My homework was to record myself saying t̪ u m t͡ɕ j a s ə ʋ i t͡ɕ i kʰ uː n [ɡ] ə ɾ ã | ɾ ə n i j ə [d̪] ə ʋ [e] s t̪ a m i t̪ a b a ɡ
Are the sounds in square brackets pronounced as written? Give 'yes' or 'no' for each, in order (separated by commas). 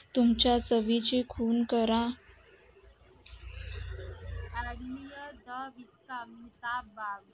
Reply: no, yes, no